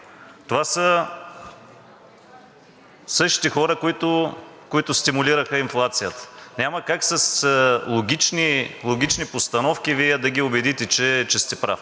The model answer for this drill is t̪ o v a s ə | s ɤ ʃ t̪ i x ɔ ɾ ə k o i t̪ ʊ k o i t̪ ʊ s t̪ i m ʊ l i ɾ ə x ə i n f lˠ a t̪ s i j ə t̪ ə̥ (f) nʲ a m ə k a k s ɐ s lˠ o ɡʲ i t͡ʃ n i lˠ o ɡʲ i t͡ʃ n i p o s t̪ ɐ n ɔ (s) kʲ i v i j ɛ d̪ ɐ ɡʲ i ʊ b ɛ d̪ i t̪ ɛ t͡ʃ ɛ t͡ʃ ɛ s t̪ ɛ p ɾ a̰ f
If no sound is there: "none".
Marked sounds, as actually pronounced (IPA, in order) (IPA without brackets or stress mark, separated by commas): none, f